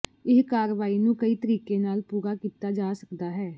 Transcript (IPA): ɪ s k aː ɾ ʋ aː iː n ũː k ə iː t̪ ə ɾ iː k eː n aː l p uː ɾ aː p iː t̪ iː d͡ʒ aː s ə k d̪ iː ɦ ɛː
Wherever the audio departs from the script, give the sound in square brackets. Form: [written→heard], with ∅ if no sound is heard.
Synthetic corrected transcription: ɪ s k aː ɾ ʋ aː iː n ũː k ə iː t̪ ə ɾ iː k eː n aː l p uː ɾ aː [p→k] iː t̪ [iː→aː] d͡ʒ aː s ə k d̪ [iː→aː] ɦ ɛː